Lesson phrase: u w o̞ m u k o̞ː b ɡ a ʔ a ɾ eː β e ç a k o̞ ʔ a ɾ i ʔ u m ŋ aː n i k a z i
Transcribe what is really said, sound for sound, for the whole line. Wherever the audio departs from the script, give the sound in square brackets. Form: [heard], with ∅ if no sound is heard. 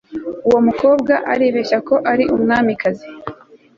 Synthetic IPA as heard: u w o̞ m u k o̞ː b ɡ a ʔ a ɾ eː β e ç a k o̞ ʔ a ɾ i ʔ u m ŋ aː [m] i k a z i